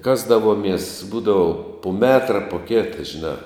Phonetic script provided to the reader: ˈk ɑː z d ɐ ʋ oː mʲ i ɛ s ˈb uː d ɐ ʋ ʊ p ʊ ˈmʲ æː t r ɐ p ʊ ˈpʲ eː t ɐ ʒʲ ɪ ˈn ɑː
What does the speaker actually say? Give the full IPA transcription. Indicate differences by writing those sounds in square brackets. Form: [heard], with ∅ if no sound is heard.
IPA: ˈk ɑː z d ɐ ʋ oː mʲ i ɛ s ˈb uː d ɐ ʋ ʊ p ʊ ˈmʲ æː t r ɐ p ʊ [ˈkʲ] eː t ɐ ʒʲ ɪ ˈn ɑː